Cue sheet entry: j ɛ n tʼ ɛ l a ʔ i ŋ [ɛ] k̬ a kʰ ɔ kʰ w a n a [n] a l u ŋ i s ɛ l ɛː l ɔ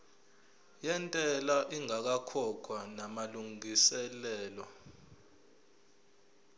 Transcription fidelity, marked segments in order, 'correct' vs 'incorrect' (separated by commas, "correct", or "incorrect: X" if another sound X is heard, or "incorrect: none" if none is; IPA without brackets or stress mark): incorrect: a, incorrect: m